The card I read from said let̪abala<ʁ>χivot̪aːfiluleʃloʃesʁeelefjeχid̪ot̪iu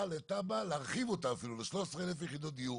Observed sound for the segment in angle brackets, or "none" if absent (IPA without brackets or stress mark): ʁ